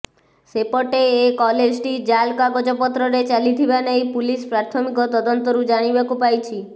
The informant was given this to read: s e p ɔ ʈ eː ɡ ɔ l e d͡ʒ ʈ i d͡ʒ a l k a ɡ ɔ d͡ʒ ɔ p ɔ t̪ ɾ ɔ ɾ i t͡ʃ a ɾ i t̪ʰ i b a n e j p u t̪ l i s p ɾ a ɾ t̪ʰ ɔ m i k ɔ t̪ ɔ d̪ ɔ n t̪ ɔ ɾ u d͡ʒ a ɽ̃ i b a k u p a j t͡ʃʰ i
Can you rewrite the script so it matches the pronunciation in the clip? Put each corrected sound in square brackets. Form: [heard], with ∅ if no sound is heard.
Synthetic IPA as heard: s e p ɔ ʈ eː [k] ɔ l e d͡ʒ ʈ i d͡ʒ a l k a ɡ ɔ d͡ʒ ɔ p ɔ t̪ ɾ ɔ ɾ [e] t͡ʃ a [l] i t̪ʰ i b a n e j p u [∅] l i s p ɾ a ɾ t̪ʰ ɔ m i k ɔ t̪ ɔ d̪ ɔ n t̪ ɔ ɾ u d͡ʒ a ɽ̃ i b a k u p a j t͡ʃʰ i